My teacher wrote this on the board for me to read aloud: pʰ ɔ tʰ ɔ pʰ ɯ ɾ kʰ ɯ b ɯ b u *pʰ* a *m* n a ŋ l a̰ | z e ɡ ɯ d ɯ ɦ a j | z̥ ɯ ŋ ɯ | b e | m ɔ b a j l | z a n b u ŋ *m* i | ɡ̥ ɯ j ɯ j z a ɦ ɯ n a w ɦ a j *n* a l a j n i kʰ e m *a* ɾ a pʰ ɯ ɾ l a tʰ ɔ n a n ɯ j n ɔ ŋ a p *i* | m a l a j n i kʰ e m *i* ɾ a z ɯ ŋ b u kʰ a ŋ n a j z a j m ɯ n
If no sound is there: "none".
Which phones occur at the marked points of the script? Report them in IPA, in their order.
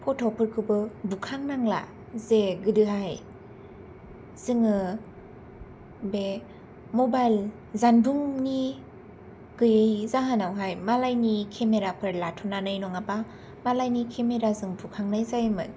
kʰ, ŋ, n, m, e, a, e

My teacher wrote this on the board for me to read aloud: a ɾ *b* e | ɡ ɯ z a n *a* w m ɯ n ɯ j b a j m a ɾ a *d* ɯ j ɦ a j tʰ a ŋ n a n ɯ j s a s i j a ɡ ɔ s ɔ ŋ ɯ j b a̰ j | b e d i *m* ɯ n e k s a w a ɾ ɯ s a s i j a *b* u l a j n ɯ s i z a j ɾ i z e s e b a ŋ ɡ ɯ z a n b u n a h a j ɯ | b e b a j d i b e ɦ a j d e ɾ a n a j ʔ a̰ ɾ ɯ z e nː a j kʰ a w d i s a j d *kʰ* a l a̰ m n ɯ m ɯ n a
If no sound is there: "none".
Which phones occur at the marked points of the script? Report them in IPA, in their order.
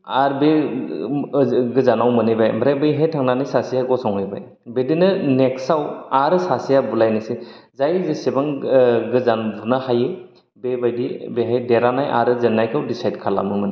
b, a, b, n, b, kʰ

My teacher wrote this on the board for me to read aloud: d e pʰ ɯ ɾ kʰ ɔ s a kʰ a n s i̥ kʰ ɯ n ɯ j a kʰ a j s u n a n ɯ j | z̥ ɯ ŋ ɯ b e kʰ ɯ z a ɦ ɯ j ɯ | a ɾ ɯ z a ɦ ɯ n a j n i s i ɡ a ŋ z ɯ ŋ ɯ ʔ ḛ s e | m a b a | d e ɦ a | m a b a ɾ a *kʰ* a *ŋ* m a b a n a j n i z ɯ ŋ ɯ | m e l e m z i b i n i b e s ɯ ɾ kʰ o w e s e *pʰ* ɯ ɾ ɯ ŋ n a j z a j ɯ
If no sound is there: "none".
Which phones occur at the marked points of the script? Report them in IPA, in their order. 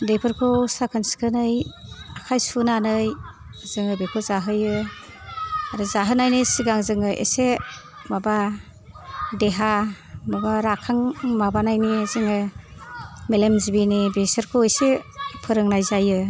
kʰ, ŋ, pʰ

